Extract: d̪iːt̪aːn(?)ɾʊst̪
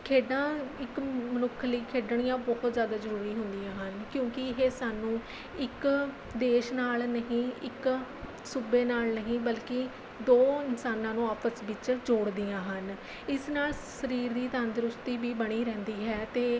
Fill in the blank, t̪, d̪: d̪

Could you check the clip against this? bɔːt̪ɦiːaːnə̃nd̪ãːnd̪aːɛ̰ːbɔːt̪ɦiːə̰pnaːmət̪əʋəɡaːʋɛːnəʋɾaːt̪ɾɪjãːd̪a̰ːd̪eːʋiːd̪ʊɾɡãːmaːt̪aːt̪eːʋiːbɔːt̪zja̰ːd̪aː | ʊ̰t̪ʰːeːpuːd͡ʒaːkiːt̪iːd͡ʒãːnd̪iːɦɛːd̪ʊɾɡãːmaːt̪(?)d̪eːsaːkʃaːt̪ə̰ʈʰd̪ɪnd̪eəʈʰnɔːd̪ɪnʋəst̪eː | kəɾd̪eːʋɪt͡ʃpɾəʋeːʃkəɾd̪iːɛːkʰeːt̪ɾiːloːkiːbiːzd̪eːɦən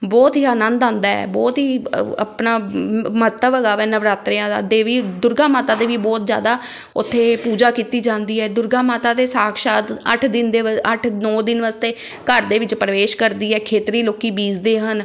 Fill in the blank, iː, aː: aː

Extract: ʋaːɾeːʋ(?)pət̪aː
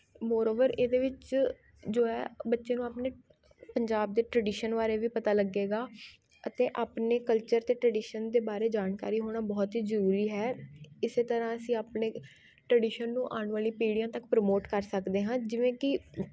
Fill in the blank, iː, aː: iː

